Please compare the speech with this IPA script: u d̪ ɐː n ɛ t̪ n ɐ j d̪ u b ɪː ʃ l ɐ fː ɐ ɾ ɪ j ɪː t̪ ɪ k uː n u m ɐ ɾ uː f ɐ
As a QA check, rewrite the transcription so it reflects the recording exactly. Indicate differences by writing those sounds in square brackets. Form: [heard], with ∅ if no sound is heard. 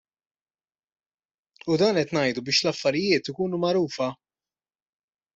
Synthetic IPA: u d̪ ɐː n ɛ t̪ n ɐ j d̪ u b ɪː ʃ l ɐ fː ɐ ɾ ɪ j ɪː t̪ ɪ k uː n u m ɐ ɾ uː f ɐ